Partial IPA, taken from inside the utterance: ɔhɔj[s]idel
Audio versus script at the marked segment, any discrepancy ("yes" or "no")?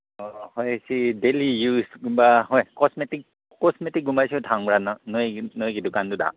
no